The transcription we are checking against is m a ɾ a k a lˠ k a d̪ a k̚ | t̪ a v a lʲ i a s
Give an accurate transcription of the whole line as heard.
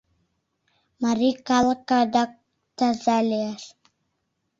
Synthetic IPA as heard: m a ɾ i k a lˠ k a d̪ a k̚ | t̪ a z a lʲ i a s